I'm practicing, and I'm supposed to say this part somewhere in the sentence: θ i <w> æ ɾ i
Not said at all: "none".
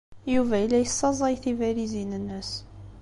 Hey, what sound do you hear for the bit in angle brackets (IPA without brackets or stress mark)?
v